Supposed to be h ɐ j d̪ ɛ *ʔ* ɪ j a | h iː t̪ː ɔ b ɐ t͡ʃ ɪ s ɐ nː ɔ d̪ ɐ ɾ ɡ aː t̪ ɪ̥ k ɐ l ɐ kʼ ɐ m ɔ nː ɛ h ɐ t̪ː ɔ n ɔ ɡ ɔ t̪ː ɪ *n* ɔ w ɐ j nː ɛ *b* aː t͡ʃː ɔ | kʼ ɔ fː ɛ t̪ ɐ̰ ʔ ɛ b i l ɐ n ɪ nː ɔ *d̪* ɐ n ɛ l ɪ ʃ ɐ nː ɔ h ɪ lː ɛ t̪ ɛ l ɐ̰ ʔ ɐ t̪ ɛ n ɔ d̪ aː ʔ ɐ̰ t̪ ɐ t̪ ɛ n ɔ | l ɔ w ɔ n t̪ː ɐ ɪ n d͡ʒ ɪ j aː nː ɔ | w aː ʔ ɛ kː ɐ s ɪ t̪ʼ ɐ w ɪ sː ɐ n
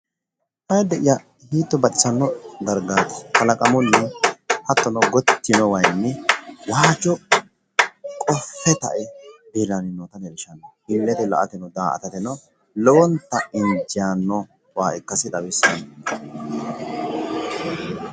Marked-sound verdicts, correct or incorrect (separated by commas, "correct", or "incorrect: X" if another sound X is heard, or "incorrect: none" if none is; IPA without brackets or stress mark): correct, correct, incorrect: w, incorrect: t̪